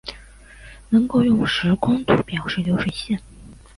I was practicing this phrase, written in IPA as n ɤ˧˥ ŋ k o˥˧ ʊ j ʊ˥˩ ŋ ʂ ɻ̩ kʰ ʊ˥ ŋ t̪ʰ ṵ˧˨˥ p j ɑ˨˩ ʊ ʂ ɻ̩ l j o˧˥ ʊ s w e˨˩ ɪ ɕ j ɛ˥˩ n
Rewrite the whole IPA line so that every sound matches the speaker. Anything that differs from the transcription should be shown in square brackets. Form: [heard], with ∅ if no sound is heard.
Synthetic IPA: n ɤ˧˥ ŋ k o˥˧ ʊ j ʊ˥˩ ŋ ʂ ɻ̩ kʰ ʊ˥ ŋ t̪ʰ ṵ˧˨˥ p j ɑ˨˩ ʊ ʂ ɻ̩ l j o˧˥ ʊ [ʂ] w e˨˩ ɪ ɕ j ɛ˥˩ n